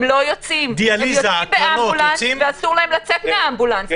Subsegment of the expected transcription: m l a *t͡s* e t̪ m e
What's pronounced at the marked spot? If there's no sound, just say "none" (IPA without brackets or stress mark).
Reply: t͡s